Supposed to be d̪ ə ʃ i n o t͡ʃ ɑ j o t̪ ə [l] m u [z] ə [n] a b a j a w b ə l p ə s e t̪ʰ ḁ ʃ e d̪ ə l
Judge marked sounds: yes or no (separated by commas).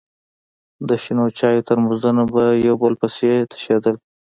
no, yes, yes